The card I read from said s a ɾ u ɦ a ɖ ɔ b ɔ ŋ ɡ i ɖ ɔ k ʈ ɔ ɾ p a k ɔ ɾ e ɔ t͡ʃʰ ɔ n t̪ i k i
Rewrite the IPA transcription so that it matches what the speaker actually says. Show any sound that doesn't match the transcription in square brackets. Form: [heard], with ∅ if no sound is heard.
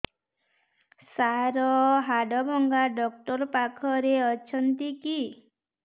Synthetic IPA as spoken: s a ɾ [ɔ] ɦ a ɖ ɔ b ɔ ŋ ɡ [a] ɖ ɔ k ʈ ɔ ɾ p a [kʰ] ɔ ɾ e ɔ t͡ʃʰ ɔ n t̪ i k i